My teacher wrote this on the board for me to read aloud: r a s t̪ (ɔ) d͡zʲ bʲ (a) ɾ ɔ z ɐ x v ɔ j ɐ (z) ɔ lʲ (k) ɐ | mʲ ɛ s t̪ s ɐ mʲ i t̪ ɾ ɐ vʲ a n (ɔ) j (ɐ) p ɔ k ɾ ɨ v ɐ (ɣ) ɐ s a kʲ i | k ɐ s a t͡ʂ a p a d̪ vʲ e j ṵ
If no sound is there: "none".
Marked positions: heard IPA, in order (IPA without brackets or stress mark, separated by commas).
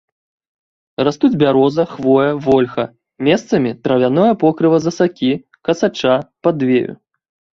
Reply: u, a, v, x, ɔ, ɐ, z